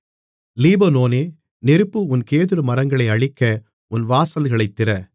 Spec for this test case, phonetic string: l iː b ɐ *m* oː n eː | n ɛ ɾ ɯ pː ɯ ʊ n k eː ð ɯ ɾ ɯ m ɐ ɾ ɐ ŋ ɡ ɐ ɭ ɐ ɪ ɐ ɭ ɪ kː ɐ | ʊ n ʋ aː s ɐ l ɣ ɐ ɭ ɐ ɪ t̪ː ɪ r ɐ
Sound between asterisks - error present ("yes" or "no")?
yes